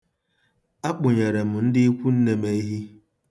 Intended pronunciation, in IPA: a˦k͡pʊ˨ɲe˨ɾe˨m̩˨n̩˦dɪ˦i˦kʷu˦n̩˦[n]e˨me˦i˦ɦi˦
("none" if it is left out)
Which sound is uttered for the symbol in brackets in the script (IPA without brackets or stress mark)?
n